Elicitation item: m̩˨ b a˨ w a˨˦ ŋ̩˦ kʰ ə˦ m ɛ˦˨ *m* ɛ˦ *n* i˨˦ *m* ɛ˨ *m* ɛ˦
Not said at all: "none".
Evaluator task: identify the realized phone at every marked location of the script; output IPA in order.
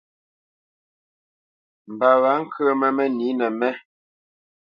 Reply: m, n, n, m

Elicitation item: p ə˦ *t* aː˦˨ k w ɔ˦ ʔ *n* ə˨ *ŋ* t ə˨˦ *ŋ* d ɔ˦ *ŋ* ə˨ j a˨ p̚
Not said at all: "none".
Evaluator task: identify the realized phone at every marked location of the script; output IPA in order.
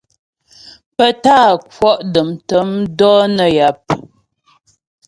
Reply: t, d, m, m, n

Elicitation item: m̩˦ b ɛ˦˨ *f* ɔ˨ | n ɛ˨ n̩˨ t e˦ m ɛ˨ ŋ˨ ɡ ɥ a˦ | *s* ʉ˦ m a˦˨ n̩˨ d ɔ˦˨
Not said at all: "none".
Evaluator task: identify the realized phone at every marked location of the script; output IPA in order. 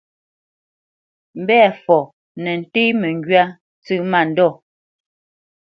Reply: f, t͡s

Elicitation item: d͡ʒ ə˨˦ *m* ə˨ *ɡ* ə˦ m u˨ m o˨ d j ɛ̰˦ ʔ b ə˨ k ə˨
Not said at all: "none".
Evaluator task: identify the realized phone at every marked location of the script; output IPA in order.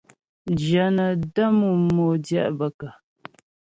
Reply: n, d

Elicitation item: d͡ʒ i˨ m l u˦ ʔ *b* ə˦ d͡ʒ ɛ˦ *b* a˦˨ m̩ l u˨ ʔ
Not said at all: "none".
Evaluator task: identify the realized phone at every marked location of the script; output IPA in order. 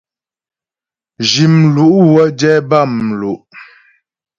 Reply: w, b

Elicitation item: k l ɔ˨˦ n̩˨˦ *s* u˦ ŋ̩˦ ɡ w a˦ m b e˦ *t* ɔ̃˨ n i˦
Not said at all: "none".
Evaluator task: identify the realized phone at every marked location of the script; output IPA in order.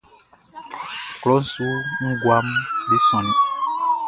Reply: s, s

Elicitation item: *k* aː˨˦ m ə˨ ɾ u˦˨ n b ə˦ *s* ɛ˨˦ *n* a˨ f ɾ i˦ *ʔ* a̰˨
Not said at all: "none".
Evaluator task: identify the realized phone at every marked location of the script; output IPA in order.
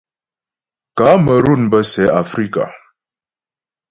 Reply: k, s, none, k

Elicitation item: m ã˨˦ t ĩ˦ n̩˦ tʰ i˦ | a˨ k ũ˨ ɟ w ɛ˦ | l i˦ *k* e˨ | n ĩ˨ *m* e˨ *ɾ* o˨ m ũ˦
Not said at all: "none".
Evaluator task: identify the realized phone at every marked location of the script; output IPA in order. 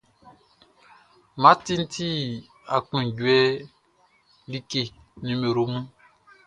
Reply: k, m, ɾ

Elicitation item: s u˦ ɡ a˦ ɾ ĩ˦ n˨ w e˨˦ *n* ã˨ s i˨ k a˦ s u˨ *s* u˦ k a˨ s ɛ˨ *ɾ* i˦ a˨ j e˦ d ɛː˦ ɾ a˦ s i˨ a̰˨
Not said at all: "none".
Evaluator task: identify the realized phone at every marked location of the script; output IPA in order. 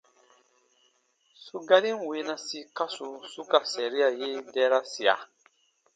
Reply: n, s, ɾ

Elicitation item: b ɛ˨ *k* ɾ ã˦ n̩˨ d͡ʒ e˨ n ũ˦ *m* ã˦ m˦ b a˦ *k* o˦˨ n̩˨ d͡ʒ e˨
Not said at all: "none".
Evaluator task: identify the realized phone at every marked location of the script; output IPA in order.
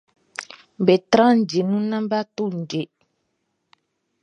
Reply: t, n, t

